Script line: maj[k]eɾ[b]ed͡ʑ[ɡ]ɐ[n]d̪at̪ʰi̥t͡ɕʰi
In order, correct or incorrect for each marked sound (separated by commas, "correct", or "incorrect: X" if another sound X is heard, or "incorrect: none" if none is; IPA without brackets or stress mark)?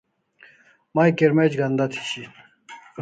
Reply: correct, incorrect: m, correct, correct